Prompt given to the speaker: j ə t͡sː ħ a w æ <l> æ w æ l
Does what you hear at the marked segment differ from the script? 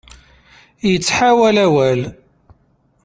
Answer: no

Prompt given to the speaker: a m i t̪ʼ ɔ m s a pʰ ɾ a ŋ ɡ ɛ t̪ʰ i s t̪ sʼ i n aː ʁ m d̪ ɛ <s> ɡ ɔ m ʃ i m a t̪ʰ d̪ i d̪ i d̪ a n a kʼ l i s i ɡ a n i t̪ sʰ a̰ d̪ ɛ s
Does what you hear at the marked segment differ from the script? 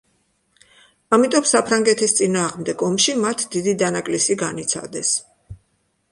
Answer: yes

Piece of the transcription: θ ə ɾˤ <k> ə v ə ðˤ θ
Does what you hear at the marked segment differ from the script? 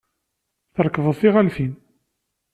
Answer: no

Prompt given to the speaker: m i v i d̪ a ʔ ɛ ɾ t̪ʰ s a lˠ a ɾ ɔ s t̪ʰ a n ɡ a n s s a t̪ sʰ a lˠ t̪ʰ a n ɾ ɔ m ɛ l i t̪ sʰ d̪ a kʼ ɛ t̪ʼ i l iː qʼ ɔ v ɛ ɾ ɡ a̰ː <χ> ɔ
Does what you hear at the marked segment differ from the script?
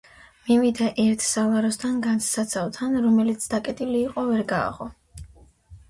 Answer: yes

